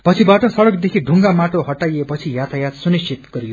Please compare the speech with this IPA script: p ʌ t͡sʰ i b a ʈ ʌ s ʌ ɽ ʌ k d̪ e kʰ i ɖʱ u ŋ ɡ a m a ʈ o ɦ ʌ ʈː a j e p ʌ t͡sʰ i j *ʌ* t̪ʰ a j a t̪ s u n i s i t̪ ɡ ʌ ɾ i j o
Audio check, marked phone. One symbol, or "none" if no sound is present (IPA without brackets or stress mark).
a